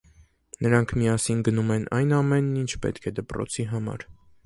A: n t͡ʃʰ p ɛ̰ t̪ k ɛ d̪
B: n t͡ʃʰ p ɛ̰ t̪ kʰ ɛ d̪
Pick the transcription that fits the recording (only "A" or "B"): B